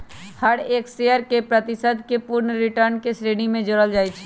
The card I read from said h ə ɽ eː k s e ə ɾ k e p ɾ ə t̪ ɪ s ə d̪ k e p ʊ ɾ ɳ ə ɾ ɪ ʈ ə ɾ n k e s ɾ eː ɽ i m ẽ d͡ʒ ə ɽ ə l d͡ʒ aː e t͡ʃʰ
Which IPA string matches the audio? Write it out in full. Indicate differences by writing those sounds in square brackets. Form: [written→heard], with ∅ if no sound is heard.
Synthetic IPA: h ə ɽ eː k s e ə ɾ k e p ɾ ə t̪ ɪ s ə d̪ k e p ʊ ɾ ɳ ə ɾ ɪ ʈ ə ɾ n k e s ɾ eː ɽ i m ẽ d͡ʒ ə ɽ ə l d͡ʒ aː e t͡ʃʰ